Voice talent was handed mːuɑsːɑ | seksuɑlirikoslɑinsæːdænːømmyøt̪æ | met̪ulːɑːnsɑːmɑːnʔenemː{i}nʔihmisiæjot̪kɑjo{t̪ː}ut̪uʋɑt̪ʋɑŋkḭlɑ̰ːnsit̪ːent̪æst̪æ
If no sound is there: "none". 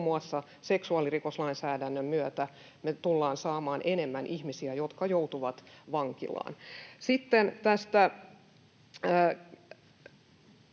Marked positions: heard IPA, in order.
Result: æ, none

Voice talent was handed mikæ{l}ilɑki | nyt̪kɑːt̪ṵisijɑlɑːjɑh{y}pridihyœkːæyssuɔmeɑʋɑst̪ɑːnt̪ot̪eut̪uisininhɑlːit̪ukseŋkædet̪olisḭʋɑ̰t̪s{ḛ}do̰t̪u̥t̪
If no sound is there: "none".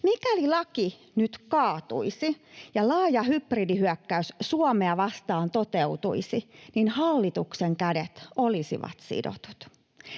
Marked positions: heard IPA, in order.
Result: l, y, ḭ

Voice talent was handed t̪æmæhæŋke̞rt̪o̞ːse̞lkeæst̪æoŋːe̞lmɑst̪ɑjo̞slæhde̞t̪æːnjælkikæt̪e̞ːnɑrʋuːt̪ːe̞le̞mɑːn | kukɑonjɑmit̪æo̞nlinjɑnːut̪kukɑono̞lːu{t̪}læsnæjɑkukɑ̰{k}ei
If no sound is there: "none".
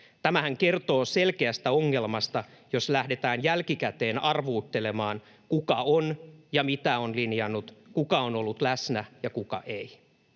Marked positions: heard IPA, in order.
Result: t̪, ʔ

